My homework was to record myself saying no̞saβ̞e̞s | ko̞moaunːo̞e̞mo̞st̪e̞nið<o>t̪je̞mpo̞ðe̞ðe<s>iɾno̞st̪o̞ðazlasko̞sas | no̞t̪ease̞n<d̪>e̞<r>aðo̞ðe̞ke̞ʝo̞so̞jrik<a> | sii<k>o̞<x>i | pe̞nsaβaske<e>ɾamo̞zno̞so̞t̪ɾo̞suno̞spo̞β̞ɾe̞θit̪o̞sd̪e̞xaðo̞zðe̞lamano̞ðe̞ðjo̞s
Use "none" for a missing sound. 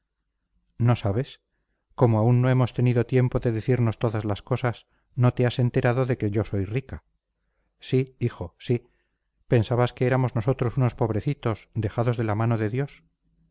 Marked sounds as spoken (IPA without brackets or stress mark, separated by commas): o, θ, t̪, ɾ, a, x, s, e